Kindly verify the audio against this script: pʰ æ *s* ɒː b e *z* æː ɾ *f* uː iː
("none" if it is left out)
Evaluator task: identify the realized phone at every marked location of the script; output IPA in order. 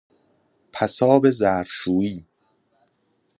s, z, ʃ

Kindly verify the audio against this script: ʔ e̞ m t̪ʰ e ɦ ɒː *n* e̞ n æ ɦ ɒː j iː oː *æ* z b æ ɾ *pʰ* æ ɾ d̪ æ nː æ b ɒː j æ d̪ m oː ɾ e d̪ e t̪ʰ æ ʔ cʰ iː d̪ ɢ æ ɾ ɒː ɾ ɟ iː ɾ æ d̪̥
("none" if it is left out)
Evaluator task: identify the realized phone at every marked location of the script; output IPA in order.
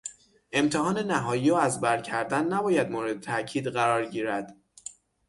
n, æ, cʰ

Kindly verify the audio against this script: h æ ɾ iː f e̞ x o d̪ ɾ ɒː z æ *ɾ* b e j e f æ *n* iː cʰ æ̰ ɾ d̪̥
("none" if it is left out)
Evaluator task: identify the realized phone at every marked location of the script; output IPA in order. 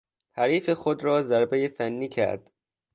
ɾ, nː

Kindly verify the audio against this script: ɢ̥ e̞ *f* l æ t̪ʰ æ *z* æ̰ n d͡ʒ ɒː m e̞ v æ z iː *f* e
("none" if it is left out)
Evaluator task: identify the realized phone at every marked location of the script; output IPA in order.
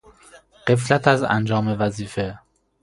f, z, f

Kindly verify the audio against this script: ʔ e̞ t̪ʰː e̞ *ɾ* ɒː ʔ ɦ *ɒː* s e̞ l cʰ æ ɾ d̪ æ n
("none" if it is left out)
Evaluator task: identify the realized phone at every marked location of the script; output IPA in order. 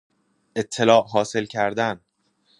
l, ɒː

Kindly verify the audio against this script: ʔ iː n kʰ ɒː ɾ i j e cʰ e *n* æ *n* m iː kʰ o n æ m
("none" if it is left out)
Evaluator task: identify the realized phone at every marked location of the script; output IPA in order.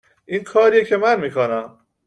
m, n

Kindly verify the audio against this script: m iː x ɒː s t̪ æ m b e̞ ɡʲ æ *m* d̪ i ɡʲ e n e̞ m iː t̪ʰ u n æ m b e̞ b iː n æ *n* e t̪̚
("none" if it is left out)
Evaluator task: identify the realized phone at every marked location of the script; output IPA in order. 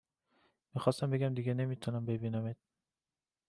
m, m

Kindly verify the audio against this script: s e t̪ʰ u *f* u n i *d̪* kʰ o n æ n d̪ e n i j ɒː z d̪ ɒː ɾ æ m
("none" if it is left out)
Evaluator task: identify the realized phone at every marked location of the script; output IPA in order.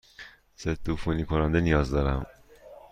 f, none

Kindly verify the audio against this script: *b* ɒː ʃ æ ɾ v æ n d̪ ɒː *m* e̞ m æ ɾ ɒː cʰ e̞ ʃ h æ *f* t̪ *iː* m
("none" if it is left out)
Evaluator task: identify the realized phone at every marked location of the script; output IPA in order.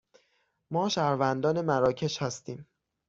m, n, s, iː

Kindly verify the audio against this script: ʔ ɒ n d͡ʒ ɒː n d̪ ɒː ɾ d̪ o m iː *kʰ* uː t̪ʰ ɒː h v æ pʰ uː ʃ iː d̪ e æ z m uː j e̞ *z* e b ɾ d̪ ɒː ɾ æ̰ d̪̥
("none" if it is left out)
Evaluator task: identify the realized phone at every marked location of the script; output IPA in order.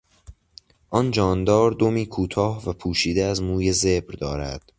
kʰ, z

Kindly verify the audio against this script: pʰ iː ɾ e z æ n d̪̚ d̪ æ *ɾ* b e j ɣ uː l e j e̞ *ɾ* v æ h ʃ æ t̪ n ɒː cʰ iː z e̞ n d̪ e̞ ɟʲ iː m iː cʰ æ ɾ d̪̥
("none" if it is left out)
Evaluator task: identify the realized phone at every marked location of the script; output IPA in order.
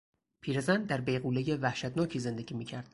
ɾ, none

